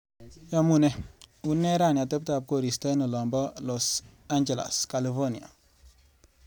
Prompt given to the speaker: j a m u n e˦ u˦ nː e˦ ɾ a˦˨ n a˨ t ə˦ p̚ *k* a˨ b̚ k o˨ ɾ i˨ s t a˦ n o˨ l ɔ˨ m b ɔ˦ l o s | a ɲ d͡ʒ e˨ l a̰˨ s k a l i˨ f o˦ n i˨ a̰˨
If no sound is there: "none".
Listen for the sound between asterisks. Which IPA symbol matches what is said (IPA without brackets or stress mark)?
t